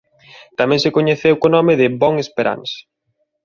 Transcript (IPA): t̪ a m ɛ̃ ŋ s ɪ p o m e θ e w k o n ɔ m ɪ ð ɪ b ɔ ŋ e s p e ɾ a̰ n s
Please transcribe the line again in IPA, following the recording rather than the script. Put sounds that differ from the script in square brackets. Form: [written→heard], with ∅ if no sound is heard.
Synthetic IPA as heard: t̪ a m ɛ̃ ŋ s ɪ [p→k] o [m→ɲ] e θ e w k o n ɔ m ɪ ð ɪ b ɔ ŋ e s p e ɾ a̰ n s